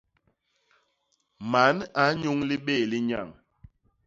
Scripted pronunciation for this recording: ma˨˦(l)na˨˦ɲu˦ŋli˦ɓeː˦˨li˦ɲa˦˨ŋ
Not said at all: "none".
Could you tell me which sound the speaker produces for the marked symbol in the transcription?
none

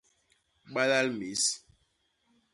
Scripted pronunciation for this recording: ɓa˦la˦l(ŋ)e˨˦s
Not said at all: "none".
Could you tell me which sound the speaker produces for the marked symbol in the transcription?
m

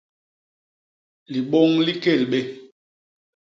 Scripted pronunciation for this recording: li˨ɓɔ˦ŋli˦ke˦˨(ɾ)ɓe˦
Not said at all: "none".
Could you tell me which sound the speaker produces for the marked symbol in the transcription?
l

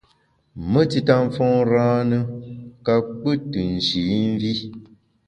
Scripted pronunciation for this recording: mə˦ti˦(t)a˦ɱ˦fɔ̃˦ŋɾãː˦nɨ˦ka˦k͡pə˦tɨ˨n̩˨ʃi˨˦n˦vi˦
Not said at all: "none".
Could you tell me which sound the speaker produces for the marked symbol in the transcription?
t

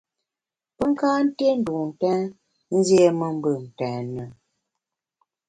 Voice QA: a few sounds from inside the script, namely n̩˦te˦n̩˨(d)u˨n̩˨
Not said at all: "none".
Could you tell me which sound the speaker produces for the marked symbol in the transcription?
d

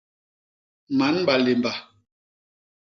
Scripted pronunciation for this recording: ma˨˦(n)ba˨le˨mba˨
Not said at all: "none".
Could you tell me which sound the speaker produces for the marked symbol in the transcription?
n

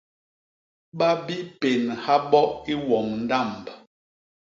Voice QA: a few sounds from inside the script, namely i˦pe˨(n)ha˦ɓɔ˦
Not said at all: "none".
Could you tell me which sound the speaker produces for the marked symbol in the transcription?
n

